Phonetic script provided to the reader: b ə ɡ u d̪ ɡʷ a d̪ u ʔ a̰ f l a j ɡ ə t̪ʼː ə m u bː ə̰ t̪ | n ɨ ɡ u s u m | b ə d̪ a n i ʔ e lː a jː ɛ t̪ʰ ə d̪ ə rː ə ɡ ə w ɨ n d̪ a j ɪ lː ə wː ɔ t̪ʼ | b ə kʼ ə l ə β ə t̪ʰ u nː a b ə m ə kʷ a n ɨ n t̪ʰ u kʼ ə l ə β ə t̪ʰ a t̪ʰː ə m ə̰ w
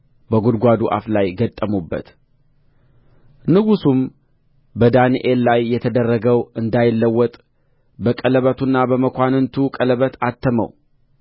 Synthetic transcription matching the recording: b ə ɡ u d̪ ɡʷ a d̪ u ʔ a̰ f l a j ɡ ə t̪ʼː ə m u bː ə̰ t̪ | n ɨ ɡ u s u m | b ə d̪ a n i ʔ e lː a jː ɛ t̪ʰ ə d̪ ə rː ə ɡ ə w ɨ n d̪ a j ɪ lː ə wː ɔ t̪ʼ | b ə kʼ ə l ə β ə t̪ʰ u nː a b ə m ə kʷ a n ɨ n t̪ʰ u kʼ ə l ə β ə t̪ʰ a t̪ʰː ə m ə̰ w